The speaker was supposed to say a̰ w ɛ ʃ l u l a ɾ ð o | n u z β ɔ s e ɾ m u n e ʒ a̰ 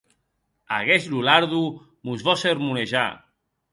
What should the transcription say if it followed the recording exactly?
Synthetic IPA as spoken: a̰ ɣ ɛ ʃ l u l a ɾ ð u | m u z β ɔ s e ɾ m u n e ʒ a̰